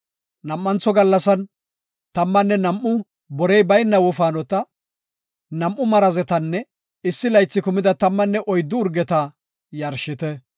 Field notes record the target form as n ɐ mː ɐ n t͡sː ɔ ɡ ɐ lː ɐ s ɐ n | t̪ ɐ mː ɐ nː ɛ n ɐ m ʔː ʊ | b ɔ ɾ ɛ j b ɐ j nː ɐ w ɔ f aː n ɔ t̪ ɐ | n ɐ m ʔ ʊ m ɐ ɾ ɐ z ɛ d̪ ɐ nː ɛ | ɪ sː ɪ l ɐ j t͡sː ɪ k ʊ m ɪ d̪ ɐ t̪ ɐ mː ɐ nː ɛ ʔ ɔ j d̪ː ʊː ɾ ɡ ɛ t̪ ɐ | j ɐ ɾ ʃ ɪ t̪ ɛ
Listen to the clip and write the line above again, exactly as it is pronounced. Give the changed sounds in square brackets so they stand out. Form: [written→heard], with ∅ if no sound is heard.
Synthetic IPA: n ɐ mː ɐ n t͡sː ɔ ɡ ɐ lː ɐ s ɐ n | t̪ ɐ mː ɐ nː ɛ n ɐ m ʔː ʊ | b ɔ ɾ ɛ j b ɐ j nː ɐ w ɔ f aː n ɔ t̪ ɐ | n ɐ m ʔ ʊ m ɐ ɾ ɐ z ɛ [d̪→t̪] ɐ nː ɛ | ɪ sː ɪ l ɐ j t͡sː ɪ k ʊ m ɪ d̪ ɐ t̪ ɐ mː ɐ nː ɛ ʔ ɔ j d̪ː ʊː ɾ ɡ ɛ t̪ ɐ | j ɐ ɾ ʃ ɪ t̪ ɛ